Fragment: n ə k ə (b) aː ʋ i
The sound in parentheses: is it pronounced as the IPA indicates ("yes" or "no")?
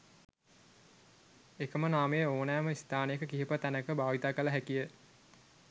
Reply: yes